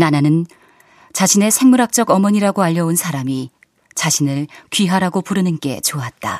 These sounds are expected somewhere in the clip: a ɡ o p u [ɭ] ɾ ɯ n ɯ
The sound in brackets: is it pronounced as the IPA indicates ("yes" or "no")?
no